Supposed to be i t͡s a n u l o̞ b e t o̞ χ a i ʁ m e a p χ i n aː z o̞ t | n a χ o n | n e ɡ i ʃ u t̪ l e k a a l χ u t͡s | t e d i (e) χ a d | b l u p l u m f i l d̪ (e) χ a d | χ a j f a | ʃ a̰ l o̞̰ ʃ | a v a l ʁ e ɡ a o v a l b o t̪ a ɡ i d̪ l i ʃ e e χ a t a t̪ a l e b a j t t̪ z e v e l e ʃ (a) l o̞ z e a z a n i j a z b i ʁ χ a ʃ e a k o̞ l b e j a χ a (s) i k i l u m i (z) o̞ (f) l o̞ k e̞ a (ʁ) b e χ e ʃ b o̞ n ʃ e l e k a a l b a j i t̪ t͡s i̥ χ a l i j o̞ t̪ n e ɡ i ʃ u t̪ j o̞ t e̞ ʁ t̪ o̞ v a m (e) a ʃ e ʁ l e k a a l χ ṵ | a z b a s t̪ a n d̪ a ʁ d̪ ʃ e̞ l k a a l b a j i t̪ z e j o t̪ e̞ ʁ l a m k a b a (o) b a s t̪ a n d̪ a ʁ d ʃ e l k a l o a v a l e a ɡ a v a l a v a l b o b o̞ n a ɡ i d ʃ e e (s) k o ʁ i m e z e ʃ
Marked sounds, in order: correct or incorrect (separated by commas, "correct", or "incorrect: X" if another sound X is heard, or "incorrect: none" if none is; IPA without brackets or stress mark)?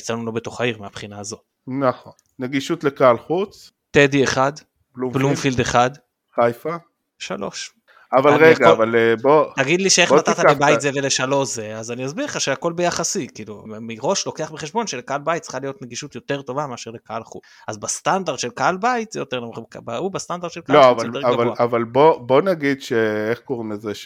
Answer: correct, correct, correct, correct, incorrect: ʁ, incorrect: ʃ, incorrect: χ, correct, incorrect: u, incorrect: χ